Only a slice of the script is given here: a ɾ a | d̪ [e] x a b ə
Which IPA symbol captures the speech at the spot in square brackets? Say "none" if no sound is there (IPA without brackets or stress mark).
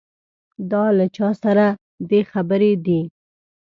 e